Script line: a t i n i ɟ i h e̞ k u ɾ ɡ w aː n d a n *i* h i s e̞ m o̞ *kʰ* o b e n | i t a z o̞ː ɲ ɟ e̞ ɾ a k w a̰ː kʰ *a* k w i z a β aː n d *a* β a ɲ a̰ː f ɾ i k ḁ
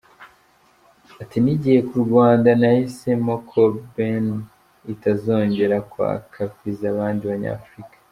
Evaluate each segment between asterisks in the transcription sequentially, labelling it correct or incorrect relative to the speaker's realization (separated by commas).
incorrect, correct, correct, incorrect